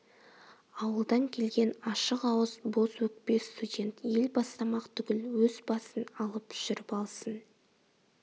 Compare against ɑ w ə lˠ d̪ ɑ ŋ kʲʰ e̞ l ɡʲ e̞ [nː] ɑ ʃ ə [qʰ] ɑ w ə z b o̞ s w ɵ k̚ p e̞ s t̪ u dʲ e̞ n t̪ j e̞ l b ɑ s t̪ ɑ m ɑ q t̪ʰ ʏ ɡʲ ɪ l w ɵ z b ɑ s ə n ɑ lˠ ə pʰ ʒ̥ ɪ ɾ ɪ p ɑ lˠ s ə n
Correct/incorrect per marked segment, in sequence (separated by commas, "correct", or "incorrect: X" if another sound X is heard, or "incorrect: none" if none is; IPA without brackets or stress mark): incorrect: n, incorrect: q